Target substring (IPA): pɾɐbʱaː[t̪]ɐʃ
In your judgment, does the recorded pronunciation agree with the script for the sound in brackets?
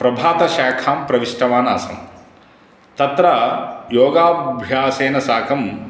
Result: yes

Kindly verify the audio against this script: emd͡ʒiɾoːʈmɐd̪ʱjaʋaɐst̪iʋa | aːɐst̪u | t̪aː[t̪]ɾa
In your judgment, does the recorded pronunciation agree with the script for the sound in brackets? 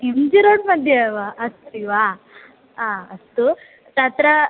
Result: yes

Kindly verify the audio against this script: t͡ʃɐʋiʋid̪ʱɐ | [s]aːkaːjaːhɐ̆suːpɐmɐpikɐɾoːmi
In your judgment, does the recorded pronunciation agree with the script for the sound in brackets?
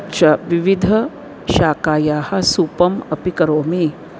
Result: no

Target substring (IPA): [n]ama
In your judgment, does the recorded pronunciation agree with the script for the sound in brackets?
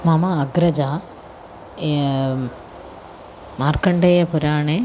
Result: no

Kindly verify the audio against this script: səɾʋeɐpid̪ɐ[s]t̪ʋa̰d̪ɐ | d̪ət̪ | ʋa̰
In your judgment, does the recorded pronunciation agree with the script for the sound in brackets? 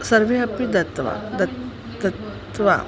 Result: no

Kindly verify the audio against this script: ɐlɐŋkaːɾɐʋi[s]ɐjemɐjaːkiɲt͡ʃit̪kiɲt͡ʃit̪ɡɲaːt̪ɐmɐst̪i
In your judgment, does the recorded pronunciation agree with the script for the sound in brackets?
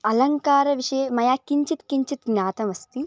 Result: no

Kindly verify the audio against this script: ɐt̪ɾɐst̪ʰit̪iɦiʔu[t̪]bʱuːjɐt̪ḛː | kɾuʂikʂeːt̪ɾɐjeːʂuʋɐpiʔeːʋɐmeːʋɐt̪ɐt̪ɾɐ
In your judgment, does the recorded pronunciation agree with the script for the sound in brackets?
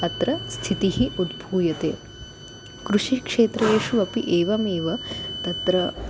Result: no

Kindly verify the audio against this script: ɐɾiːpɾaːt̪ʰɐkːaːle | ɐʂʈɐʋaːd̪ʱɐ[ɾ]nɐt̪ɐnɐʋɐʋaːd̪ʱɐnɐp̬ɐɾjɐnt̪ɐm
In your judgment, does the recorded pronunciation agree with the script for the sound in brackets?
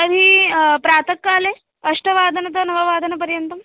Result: no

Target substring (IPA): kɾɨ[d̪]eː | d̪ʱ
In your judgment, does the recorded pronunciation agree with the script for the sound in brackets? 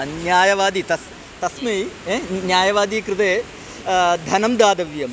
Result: no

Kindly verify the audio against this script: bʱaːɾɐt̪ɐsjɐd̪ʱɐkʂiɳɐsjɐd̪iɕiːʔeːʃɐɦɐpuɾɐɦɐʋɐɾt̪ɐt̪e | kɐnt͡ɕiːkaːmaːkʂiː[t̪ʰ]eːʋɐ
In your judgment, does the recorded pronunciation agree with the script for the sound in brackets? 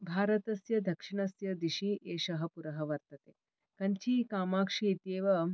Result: no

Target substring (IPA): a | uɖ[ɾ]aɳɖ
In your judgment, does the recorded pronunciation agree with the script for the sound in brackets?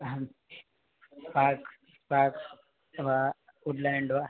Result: no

